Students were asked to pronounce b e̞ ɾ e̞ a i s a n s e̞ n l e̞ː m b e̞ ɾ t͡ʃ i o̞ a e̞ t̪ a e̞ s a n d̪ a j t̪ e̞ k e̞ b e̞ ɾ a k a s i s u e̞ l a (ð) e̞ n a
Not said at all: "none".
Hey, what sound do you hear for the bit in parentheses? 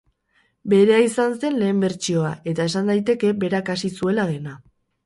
ð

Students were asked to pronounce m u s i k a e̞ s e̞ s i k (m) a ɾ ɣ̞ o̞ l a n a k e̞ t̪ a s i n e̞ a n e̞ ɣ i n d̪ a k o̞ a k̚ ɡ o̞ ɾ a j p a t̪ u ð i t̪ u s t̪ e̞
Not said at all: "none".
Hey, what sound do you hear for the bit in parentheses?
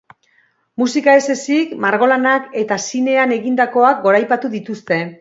m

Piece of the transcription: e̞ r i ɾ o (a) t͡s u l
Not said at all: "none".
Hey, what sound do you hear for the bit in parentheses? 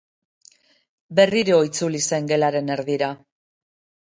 i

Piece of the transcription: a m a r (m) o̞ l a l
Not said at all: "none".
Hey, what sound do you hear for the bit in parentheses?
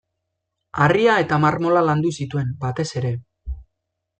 m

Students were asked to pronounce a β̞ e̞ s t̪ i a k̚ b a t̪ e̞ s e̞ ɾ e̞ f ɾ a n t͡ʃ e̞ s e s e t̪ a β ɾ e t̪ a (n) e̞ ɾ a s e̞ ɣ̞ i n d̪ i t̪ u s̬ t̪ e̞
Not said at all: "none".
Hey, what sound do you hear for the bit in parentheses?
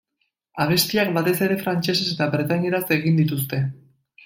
ɲ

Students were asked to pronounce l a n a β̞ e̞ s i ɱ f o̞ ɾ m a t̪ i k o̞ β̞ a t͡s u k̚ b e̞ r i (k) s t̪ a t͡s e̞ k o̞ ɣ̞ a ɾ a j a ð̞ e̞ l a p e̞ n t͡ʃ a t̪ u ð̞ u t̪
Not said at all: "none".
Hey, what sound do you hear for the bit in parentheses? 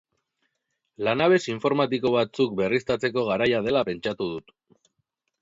none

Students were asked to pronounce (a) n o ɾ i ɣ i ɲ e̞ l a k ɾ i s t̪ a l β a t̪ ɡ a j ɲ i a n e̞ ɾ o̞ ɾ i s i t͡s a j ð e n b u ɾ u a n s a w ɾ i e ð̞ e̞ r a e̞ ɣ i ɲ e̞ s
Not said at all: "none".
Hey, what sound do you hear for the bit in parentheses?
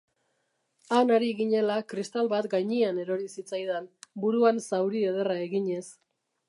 a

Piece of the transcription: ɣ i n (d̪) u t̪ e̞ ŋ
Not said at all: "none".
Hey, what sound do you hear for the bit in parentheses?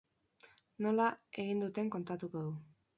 d̪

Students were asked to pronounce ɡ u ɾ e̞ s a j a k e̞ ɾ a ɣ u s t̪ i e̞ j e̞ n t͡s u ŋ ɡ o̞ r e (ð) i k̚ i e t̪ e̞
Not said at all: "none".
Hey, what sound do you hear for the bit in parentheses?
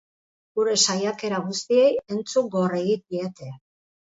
ɣ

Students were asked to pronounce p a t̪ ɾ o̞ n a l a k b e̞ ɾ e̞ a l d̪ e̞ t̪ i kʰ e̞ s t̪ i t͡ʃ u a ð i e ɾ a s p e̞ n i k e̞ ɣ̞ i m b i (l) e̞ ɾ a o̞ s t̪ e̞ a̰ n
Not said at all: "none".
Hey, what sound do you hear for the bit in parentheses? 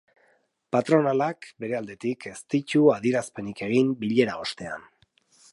ʎ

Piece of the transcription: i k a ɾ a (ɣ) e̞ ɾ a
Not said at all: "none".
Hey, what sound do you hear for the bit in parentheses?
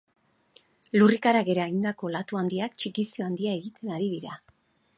ɣ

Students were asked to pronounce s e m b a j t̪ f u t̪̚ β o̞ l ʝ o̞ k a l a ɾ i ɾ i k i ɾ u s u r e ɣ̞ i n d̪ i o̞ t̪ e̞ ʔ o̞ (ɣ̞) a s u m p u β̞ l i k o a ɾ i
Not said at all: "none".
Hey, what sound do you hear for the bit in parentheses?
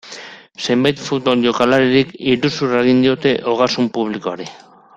ɣ̞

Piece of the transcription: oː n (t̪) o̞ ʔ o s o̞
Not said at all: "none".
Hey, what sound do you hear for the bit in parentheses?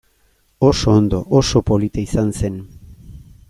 d̪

